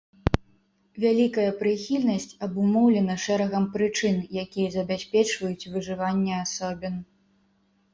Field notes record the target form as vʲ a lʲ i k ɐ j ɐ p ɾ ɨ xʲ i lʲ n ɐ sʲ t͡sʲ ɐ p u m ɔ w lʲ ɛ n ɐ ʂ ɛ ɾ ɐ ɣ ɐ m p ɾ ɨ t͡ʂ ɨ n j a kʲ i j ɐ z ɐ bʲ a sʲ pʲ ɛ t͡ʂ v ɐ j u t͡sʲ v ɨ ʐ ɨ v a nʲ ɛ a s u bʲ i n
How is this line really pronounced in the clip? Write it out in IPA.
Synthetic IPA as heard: vʲ a lʲ i k ɐ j ɐ p ɾ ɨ xʲ i lʲ n ɐ sʲ t͡sʲ ɐ b u m ɔ w lʲ ɛ n ɐ ʂ ɛ ɾ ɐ ɣ ɐ m p ɾ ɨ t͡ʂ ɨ n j a kʲ i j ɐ z ɐ bʲ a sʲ pʲ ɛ t͡ʂ v ɐ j u t͡sʲ v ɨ ʐ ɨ v a nʲː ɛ a s ɔ bʲ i n